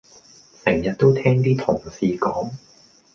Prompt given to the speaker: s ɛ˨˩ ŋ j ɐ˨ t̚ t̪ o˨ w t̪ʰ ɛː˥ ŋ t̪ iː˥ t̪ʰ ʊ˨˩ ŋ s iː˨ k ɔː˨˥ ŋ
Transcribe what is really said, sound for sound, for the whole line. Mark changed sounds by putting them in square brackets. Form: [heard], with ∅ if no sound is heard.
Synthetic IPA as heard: s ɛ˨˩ ŋ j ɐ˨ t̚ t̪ [o˥] w t̪ʰ ɛː˥ ŋ t̪ iː˥ t̪ʰ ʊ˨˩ ŋ s iː˨ k ɔː˨˥ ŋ